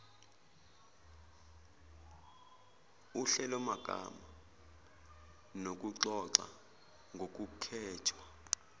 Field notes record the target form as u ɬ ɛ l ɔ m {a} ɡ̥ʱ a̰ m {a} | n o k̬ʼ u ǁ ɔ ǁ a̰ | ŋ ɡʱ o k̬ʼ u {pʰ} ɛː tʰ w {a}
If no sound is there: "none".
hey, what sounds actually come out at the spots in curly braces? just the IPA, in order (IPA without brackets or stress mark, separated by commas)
a, a, kʰ, a